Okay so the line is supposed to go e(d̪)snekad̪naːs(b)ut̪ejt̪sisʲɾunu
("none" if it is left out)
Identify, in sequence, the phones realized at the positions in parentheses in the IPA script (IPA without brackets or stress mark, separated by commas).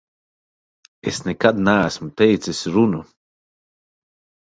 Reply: none, m